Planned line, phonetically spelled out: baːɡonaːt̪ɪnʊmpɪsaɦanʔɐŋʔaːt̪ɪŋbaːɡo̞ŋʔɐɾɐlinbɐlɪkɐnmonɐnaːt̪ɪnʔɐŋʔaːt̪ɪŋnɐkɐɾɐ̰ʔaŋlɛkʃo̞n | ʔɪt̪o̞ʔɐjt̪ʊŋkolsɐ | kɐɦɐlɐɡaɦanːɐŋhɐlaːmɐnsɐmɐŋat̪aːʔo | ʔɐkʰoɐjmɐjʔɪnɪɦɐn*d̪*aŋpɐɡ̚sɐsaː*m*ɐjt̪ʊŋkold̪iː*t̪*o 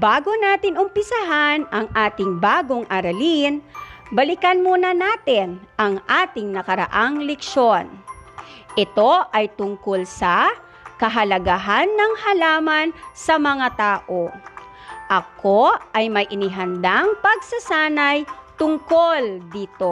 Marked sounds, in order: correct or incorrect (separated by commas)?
correct, incorrect, correct